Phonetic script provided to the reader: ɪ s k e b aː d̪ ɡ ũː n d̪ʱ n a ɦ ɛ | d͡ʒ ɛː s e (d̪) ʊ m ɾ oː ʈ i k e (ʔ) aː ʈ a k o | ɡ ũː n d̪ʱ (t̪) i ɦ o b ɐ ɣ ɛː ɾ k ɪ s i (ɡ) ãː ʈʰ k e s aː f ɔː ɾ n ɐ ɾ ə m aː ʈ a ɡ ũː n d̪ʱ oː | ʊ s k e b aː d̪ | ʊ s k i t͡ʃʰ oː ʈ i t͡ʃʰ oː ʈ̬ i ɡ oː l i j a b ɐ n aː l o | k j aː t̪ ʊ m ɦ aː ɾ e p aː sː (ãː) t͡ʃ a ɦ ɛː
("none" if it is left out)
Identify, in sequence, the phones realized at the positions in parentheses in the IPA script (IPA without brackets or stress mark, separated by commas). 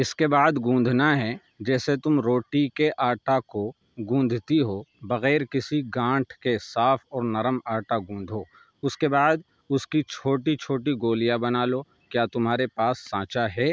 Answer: t̪, ʔ, t̪, ɡ, ãː